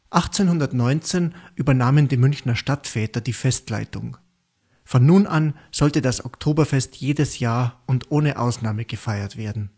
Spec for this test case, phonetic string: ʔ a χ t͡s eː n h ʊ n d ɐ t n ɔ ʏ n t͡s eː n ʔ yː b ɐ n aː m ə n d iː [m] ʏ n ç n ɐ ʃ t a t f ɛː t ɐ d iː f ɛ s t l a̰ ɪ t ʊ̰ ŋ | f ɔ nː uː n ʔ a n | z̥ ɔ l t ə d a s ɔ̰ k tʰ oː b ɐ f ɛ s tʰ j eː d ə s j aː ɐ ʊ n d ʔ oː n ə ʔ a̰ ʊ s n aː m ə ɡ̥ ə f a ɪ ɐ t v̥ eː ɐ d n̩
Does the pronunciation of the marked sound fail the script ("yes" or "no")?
no